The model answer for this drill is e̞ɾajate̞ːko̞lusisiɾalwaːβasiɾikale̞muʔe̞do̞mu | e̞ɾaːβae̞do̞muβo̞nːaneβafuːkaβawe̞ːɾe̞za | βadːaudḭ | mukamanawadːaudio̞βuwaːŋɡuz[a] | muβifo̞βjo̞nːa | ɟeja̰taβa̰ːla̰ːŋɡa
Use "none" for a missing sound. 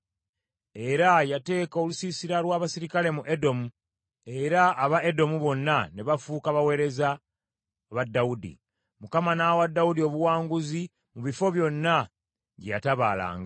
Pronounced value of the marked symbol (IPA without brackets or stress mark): i